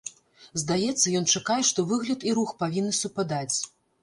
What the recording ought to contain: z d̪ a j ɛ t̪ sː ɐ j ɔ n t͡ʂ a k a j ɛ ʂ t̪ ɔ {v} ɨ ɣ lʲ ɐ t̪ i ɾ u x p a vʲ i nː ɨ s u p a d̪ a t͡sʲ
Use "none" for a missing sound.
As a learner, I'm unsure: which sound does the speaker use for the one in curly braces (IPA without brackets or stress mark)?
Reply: v